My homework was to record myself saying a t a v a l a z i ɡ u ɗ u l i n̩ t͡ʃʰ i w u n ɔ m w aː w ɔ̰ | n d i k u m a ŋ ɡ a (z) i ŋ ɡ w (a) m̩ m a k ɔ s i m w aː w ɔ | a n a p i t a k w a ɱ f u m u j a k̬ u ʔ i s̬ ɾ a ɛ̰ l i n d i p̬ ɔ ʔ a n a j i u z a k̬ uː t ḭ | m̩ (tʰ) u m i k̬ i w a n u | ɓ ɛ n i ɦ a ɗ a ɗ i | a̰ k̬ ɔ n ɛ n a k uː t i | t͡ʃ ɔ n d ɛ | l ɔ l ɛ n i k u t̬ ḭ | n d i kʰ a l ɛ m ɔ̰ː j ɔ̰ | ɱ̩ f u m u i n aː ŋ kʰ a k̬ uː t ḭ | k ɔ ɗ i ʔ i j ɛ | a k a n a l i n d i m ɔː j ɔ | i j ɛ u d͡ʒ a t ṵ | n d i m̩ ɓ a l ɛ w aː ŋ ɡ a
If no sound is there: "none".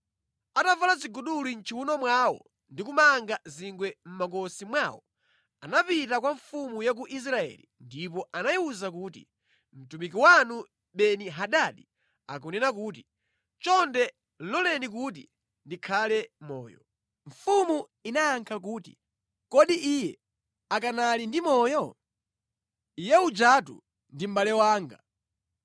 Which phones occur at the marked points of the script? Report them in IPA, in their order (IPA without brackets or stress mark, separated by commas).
z, ɛ, t